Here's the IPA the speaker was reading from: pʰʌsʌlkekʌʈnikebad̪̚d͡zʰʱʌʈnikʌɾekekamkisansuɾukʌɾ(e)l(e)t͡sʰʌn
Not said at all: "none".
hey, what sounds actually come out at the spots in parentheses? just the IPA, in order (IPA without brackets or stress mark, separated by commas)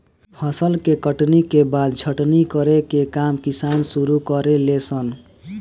e, e